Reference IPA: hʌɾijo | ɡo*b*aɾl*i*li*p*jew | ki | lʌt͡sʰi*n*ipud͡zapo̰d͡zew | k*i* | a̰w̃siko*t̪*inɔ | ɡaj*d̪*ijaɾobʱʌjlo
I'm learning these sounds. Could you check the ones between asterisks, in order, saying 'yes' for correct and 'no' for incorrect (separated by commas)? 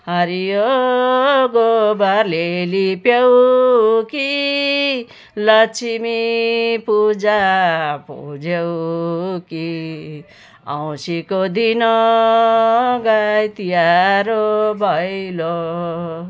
yes, no, yes, no, yes, no, no